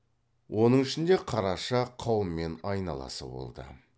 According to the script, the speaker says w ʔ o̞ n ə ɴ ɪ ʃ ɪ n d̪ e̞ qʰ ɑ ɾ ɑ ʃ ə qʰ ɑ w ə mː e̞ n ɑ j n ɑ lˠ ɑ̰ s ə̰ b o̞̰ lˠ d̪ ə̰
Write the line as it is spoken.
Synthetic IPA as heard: w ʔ o̞ n ə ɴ ɪ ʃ ɪ n d̪ e̞ qʰ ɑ ɾ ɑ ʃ ɑ qʰ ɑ w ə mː e̞ n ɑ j n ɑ lˠ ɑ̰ s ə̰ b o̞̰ lˠ d̪ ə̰